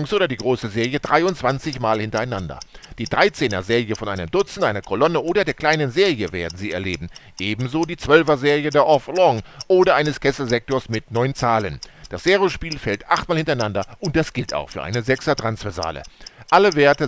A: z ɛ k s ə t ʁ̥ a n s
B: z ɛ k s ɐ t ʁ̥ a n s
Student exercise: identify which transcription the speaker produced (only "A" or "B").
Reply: B